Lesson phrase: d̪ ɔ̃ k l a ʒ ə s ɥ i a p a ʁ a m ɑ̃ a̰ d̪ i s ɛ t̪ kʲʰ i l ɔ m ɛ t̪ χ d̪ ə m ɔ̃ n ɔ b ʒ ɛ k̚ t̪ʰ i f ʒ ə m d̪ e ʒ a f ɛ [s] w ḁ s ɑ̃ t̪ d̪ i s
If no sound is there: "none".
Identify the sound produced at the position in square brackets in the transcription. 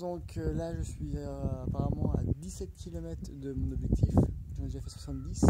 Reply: s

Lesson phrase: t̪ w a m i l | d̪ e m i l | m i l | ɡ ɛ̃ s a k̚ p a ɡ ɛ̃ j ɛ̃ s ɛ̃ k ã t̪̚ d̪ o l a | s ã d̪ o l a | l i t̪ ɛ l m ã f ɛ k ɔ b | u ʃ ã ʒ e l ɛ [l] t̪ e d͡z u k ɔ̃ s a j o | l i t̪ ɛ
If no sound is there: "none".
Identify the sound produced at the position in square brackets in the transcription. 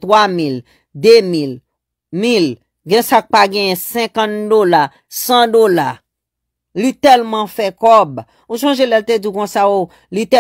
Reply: l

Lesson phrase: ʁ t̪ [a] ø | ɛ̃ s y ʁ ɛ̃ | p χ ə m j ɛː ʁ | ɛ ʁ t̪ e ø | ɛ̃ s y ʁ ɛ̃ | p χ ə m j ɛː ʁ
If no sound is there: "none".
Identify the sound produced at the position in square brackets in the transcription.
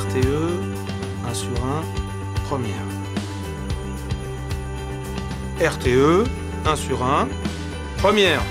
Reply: e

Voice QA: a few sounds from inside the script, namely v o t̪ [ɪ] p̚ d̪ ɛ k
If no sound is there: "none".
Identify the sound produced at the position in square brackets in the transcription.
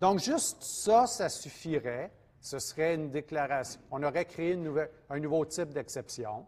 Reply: ɪ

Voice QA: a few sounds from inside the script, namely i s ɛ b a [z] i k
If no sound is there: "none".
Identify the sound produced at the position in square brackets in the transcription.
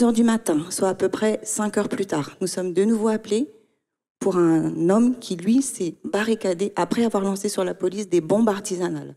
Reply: ʁ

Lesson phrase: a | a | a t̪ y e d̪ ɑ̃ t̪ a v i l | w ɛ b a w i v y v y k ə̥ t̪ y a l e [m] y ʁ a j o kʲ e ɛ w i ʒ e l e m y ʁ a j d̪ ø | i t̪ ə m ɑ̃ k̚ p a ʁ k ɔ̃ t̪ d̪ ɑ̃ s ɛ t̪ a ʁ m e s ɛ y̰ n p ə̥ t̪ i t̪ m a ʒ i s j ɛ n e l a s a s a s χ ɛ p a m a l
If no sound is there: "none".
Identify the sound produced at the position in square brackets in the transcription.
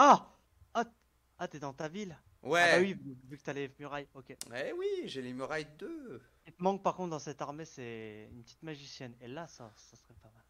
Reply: m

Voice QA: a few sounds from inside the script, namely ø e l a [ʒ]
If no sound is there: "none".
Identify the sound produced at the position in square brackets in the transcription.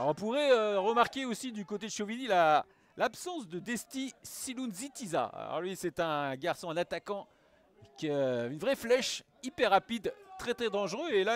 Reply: none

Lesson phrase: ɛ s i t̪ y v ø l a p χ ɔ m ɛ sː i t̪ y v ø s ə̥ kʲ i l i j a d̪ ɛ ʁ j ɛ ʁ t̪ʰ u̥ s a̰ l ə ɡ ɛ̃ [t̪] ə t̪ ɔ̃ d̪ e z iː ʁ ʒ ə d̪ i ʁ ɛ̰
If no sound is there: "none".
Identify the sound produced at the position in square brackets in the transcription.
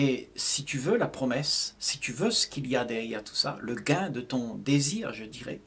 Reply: d̪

